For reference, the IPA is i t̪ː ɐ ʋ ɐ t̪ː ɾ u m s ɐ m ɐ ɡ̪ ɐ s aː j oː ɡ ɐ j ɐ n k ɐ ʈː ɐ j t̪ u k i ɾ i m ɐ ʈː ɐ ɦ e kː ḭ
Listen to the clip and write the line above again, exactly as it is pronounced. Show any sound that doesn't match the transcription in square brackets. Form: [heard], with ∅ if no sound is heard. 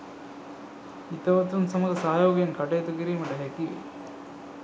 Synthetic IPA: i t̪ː ɐ ʋ ɐ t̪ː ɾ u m s ɐ m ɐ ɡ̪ ɐ s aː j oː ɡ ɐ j ɐ n k ɐ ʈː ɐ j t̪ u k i ɾ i m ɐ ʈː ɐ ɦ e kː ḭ